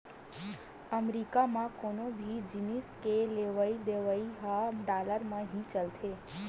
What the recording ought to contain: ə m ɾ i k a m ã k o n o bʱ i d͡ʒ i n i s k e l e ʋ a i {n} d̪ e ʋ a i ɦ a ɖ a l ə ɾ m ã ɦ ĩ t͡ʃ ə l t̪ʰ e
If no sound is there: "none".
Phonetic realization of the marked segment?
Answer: none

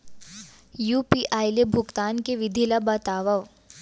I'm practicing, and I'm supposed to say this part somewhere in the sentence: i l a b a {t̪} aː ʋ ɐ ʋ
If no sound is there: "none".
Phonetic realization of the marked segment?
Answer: t̪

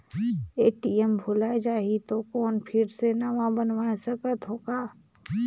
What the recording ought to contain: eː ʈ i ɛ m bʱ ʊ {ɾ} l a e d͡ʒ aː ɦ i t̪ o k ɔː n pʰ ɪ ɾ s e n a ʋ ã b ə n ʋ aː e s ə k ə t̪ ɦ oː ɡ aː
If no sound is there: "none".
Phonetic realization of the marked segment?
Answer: none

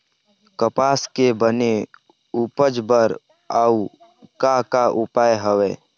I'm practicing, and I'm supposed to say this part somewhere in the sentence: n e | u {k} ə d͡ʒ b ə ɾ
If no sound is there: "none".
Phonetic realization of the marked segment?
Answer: p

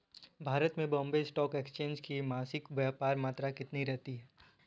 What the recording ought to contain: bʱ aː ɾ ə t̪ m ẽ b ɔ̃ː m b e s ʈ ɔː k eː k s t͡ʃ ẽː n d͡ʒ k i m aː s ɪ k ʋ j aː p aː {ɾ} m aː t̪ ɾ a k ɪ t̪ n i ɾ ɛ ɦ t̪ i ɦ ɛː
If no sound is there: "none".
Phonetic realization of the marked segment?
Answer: ɾ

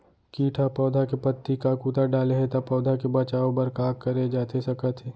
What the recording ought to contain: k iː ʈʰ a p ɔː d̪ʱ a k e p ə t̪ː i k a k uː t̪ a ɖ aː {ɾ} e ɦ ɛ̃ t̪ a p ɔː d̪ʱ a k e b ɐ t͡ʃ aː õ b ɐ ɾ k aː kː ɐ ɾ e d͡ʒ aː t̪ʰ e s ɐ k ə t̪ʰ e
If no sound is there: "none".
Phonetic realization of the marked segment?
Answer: l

